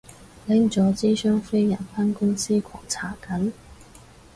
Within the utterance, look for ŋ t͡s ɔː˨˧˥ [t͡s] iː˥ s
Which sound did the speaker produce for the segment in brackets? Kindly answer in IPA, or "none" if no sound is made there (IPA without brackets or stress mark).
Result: t͡s